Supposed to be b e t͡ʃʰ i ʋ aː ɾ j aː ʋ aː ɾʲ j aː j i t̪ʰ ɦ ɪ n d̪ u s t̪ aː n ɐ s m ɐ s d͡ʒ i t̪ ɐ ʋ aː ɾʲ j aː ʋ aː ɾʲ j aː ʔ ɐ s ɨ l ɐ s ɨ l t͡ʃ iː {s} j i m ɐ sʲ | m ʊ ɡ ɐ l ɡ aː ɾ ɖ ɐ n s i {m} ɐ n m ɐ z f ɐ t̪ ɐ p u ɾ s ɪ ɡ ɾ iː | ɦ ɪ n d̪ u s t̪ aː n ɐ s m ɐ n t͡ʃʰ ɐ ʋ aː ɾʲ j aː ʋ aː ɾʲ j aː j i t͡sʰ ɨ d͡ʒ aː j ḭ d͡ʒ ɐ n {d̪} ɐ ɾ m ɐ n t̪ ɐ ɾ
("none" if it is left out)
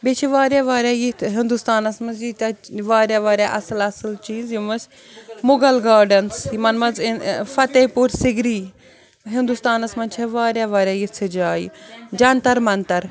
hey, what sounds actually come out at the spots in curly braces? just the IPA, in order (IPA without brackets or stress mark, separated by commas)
z, m, t̪